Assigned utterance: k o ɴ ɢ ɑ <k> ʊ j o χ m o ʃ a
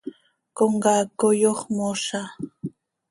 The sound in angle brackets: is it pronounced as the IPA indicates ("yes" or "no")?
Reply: yes